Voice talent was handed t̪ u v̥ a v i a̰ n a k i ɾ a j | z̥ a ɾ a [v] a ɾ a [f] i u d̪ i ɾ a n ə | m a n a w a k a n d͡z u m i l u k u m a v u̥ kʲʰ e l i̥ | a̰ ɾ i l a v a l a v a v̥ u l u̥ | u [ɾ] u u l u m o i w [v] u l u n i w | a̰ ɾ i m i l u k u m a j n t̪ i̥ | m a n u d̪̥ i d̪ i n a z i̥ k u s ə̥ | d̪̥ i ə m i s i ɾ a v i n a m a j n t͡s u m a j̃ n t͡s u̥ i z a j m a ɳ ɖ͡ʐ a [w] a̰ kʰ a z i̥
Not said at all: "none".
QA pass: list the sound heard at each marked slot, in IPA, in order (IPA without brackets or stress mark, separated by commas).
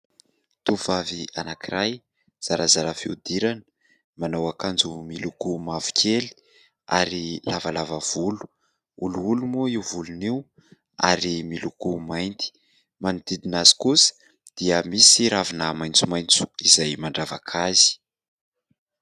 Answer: z, f, l, v, v